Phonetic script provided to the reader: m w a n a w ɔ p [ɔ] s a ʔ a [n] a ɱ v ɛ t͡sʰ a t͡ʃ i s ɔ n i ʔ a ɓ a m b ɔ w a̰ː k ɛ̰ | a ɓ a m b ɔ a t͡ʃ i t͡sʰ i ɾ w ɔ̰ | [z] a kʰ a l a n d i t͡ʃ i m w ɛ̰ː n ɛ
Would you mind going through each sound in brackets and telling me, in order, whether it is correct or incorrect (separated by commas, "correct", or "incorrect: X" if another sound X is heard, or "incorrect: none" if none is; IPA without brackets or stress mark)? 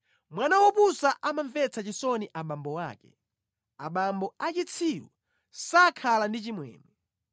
incorrect: u, incorrect: m, incorrect: s